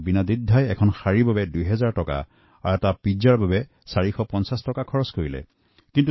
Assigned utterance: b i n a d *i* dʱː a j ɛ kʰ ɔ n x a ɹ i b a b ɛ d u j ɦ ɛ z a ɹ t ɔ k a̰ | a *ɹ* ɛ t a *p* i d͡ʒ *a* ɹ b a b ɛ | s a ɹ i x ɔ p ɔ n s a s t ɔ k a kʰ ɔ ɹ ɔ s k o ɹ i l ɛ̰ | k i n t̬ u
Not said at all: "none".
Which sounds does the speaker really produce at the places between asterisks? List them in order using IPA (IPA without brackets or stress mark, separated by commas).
i, ɹ, p, a